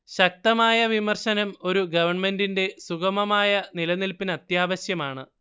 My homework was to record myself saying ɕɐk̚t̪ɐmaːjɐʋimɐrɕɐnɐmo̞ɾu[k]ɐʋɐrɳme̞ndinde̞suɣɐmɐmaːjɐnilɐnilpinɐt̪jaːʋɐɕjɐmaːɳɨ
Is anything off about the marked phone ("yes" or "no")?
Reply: yes